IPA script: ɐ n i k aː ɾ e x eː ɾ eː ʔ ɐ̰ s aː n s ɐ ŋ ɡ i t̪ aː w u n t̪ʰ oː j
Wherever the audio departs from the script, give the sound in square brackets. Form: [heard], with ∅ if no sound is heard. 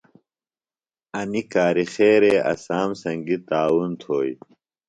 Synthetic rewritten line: ɐ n i k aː ɾ [i] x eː ɾ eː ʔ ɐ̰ s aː [m] s ɐ ŋ ɡ i t̪ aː w u n t̪ʰ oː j